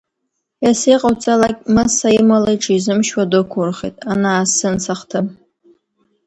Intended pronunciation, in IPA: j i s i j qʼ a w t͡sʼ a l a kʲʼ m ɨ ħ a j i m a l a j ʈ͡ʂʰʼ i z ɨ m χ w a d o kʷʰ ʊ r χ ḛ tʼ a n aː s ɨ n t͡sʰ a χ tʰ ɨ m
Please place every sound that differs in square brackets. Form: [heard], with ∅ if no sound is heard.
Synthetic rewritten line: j [a] s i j qʼ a w t͡sʼ a l a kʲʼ m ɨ [s] a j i m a l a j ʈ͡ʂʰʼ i z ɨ m [ʃ] w a d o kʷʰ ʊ r χ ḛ tʼ a n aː s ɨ n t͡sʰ a χ tʰ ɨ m

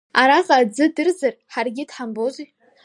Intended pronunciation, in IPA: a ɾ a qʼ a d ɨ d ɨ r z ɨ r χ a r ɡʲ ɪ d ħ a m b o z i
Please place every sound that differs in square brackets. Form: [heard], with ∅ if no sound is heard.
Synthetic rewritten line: a ɾ a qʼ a [d͡z] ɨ d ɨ r z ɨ r [ħ] a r ɡʲ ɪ d ħ a m b o z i

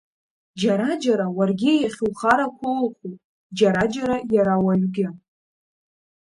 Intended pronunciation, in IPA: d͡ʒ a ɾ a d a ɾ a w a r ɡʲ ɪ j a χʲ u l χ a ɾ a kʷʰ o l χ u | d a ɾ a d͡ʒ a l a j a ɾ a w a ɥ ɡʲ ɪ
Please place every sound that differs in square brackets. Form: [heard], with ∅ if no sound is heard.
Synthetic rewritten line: d͡ʒ a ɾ a [d͡ʒ] a ɾ a w a r ɡʲ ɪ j a χʲ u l χ a ɾ a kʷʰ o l χ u | [d͡ʒ] a ɾ a d͡ʒ a [ɾ] a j a ɾ a w a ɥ ɡʲ ɪ

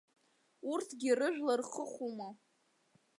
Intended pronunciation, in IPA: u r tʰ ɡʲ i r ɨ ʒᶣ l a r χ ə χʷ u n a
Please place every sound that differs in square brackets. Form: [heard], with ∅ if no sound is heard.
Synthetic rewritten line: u r tʰ ɡʲ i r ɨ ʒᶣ l a r χ ə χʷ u [m] a

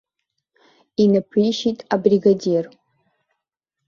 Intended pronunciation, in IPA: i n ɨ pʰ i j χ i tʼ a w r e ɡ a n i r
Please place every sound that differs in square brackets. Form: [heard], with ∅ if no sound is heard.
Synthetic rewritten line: i n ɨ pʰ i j [ʃ] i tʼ a [b] r [i] ɡ a [d] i r

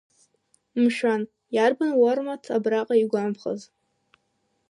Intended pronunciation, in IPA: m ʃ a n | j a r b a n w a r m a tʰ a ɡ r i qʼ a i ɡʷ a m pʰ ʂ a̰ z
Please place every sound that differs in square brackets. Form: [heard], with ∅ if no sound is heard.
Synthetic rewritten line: m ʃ a n | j a r b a n w a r m a tʰ a [b] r [a] qʼ a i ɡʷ a m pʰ [χ] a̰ z

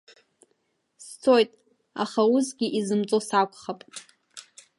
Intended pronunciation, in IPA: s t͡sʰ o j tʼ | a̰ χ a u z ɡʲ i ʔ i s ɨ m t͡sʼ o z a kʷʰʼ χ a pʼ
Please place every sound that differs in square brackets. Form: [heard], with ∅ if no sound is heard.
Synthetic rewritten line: s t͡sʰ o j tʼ | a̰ χ a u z ɡʲ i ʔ i [z] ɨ m t͡sʼ o [s] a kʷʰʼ χ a pʼ

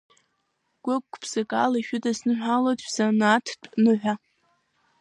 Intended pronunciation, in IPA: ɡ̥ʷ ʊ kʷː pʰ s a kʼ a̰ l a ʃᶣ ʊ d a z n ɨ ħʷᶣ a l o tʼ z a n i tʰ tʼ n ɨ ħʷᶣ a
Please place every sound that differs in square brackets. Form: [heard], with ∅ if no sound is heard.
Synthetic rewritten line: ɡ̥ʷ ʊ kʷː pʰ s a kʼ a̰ l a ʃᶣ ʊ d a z n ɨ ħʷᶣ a l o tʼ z a n [a] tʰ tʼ n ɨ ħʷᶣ a

